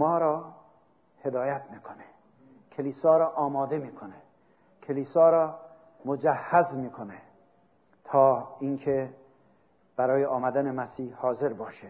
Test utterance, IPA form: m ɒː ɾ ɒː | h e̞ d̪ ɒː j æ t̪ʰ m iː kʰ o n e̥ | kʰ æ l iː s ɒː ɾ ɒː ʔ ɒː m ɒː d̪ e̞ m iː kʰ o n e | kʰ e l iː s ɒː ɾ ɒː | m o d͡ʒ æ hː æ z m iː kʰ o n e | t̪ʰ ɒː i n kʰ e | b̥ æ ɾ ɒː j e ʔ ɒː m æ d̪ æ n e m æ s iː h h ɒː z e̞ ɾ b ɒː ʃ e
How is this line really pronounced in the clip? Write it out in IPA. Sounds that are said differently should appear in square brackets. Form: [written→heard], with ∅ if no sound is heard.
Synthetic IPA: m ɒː ɾ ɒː | h e̞ d̪ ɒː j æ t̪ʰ m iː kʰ o n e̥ | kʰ [æ→e] l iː s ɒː ɾ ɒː ʔ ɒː m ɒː d̪ e̞ m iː kʰ o n e | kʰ e l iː s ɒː ɾ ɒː | m o d͡ʒ æ hː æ z m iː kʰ o n e | t̪ʰ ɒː i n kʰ e | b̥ æ ɾ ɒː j e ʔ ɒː m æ d̪ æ n e m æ s iː h h ɒː z e̞ ɾ b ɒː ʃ e